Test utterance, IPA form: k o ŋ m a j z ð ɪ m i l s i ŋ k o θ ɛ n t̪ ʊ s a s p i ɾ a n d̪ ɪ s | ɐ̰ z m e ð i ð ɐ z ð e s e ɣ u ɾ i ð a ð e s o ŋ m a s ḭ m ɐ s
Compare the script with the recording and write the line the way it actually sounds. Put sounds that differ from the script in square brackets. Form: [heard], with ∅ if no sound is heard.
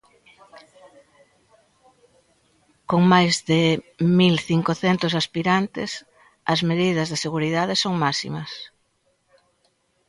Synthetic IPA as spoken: k o ŋ m a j z ð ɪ m i l [θ] i ŋ k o θ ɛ n t̪ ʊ s a s p i ɾ a n [t̪] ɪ s | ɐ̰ z m e ð i ð ɐ z ð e s e ɣ u ɾ i ð a ð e s o ŋ m a s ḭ m ɐ s